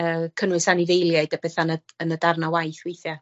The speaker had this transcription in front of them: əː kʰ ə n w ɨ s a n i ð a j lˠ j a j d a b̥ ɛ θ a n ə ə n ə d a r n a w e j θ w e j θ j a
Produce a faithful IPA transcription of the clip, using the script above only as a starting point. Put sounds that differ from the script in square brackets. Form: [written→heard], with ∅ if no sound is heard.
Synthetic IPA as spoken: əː kʰ ə n w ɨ s a n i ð [a→e] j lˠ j a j d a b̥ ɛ θ a n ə ə n ə d a r n a w [e→a] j θ w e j θ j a